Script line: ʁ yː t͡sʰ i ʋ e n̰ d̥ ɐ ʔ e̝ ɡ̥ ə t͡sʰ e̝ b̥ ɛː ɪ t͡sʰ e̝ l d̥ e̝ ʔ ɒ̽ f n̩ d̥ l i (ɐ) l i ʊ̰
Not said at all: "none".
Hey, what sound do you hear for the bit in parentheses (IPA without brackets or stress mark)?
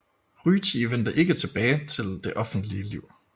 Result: ə